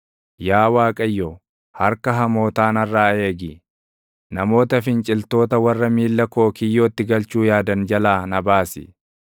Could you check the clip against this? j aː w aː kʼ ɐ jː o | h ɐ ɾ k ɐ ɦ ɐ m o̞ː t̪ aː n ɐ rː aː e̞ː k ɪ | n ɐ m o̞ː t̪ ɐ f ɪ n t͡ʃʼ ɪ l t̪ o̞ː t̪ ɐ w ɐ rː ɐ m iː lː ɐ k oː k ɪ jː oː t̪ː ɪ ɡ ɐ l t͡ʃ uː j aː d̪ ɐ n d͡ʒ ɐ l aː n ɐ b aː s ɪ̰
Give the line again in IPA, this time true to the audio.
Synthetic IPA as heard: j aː w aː kʼ ɐ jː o | h ɐ ɾ k ɐ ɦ ɐ m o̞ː t̪ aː n ɐ rː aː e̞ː ɡ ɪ | n ɐ m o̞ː t̪ ɐ f ɪ n t͡ʃʼ ɪ l t̪ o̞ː t̪ ɐ w ɐ rː ɐ m iː lː ɐ k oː k ɪ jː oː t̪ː ɪ ɡ ɐ l t͡ʃ uː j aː d̪ ɐ n d͡ʒ ɐ l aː n ɐ b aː s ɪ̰